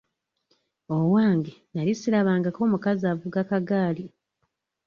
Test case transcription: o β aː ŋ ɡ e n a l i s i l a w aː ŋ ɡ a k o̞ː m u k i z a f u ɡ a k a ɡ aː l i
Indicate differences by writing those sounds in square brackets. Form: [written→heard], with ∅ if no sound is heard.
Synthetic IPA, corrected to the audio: o [β→w] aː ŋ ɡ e n a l i s i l a [w→β] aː ŋ ɡ a k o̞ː m u k [i→a] z a [f→v] u ɡ a k a ɡ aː l i